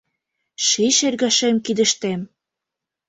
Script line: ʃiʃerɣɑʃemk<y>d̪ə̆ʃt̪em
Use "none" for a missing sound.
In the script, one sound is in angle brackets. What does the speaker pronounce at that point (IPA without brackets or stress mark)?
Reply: i